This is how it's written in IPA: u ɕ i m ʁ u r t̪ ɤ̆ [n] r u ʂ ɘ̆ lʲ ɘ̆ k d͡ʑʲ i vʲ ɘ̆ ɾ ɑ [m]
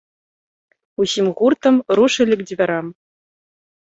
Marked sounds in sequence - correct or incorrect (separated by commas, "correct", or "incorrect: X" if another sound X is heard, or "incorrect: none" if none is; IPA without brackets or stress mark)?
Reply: incorrect: m, correct